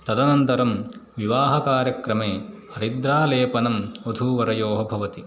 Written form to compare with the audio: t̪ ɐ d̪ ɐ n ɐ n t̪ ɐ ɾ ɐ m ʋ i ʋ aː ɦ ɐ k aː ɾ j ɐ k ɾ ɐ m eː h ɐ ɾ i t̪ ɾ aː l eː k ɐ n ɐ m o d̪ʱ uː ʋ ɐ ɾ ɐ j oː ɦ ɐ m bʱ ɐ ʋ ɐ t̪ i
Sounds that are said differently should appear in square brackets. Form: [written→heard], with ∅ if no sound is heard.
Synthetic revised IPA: t̪ ɐ d̪ ɐ n ɐ n t̪ ɐ ɾ ɐ m ʋ i ʋ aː ɦ ɐ k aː ɾ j ɐ k ɾ ɐ m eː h ɐ ɾ i [t̪→d̪] ɾ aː l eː [k→p] ɐ n ɐ m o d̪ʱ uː ʋ ɐ ɾ ɐ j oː ɦ ɐ [m→∅] bʱ ɐ ʋ ɐ t̪ i